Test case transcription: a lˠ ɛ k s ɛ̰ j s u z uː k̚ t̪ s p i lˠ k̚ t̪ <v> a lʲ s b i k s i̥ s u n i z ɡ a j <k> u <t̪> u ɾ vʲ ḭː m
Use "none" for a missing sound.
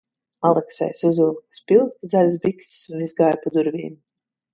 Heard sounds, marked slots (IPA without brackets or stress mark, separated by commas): z, p, d̪